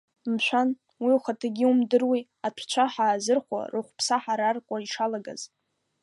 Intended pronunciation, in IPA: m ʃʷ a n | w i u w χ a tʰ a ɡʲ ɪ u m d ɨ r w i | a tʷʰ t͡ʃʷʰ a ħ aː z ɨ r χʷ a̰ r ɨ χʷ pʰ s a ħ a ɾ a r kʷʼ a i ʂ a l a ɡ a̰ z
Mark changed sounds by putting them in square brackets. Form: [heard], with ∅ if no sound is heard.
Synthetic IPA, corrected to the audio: m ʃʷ a n | w i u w χ a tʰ a ɡʲ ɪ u m d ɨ r w i | a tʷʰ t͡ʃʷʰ a ħ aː z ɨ r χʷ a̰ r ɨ χʷ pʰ s a ħ a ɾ a r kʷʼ a i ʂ a l a ɡ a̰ z